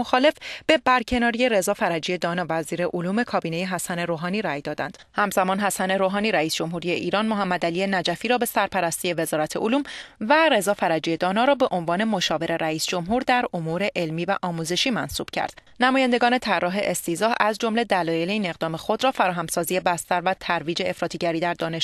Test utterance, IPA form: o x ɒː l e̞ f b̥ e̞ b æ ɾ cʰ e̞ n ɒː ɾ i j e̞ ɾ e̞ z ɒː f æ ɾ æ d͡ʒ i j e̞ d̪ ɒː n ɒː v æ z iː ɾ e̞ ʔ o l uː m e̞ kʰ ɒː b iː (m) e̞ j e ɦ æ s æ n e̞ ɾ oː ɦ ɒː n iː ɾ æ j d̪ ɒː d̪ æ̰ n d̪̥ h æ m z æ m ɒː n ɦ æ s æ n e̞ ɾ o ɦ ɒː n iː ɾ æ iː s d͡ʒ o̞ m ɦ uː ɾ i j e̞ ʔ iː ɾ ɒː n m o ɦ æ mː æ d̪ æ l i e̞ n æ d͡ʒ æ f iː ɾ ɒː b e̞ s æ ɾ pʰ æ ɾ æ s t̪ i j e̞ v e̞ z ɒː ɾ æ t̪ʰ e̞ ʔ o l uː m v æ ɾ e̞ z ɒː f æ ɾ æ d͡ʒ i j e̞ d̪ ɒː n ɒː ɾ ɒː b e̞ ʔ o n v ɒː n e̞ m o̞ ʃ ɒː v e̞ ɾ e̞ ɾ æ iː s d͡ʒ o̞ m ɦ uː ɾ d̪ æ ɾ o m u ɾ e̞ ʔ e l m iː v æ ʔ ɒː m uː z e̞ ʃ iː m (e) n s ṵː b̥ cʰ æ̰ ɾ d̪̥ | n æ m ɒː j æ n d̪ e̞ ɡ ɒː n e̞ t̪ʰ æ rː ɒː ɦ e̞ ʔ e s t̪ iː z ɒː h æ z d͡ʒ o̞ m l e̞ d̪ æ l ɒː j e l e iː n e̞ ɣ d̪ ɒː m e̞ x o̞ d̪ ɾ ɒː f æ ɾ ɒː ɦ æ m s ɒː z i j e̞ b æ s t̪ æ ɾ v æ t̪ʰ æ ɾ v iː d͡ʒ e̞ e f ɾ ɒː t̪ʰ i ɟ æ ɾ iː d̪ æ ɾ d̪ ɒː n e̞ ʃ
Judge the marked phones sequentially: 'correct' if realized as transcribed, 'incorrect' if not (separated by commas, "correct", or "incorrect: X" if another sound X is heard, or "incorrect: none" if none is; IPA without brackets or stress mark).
incorrect: n, incorrect: æ